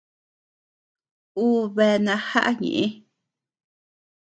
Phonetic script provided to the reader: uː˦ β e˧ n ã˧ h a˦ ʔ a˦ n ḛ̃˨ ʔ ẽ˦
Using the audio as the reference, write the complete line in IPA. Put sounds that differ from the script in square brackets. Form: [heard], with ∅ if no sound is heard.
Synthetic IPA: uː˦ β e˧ n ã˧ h a˦ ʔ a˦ [ɲ] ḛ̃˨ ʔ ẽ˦